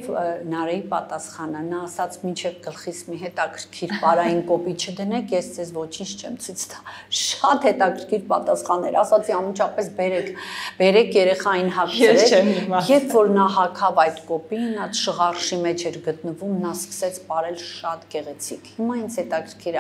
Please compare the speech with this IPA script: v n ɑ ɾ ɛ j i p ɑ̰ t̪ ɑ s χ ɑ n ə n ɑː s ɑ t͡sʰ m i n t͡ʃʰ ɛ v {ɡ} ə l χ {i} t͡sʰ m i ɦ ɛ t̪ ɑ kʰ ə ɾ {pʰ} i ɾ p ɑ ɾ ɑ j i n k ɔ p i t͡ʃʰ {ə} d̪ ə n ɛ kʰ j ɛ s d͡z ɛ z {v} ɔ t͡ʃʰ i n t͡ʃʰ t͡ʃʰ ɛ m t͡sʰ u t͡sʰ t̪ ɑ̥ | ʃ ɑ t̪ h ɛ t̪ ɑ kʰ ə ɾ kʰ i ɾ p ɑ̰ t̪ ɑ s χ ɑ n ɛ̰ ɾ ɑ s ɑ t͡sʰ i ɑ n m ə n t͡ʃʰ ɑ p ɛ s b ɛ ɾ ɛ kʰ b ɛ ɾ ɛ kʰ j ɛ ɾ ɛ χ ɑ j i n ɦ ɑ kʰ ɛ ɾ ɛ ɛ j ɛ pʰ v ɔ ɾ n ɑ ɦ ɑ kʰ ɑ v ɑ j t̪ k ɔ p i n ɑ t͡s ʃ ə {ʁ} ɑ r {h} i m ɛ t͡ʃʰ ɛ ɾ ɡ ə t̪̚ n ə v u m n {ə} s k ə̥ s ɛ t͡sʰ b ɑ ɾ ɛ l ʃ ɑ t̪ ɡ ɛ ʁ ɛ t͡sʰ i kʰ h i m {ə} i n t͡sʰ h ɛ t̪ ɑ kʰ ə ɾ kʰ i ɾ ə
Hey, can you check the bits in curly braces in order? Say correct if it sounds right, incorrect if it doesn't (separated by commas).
correct, correct, incorrect, correct, correct, correct, incorrect, incorrect, incorrect